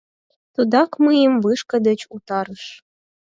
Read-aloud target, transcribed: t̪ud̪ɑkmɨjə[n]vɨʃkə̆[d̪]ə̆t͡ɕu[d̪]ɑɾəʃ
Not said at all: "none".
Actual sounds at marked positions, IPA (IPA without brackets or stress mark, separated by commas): m, d̪, t̪